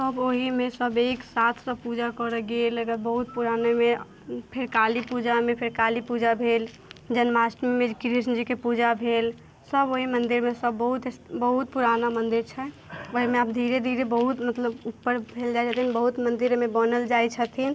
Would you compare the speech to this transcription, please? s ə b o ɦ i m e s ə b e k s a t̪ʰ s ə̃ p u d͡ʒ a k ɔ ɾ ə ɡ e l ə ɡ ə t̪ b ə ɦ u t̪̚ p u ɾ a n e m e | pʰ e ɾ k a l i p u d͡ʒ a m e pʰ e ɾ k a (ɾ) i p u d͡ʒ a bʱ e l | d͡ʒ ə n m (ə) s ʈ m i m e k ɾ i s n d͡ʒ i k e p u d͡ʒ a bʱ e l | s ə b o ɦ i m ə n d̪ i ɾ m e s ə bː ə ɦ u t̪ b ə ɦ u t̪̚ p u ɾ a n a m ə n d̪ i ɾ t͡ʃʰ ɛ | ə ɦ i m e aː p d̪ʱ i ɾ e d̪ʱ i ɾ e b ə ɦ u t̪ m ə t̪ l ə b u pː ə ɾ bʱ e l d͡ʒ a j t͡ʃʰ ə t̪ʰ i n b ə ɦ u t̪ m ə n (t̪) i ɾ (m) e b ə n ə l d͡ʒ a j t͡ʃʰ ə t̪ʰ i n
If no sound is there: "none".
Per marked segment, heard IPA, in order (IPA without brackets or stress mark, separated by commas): l, a, d̪, m